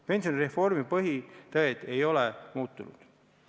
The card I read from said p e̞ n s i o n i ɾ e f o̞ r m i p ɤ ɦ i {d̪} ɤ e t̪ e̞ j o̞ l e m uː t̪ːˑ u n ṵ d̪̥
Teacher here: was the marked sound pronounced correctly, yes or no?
no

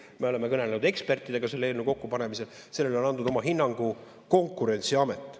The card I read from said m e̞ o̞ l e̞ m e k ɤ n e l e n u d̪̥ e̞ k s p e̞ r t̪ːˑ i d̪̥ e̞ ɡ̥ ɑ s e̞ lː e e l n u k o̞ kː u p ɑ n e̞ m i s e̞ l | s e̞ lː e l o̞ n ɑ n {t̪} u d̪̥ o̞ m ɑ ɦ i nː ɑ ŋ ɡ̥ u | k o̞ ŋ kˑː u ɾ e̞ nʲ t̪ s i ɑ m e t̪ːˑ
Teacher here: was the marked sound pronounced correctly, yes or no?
no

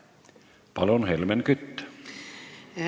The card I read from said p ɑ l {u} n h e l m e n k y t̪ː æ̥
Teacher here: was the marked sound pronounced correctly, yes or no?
no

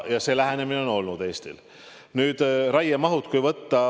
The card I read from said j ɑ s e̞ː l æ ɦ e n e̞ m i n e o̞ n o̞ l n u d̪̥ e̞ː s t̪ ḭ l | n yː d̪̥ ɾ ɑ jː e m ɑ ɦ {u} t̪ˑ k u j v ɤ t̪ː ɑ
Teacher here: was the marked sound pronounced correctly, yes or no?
yes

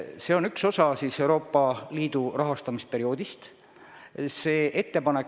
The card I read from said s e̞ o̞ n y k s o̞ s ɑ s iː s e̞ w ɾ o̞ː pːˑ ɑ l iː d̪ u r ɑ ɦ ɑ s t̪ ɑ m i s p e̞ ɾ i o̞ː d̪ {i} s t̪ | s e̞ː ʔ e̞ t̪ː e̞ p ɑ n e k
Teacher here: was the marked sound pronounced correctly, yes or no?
yes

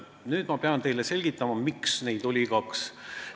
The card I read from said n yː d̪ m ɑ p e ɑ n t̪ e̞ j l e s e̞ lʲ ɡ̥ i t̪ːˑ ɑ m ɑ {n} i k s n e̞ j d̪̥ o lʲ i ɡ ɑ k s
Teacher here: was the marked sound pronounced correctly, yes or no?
no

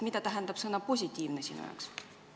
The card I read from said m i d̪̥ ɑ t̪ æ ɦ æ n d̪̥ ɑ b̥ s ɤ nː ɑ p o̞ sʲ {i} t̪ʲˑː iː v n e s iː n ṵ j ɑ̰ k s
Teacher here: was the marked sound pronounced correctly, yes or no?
yes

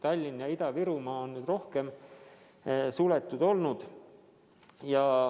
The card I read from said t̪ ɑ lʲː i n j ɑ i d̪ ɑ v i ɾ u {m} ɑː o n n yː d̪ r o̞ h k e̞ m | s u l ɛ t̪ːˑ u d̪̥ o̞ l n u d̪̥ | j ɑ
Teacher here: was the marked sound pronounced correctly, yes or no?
yes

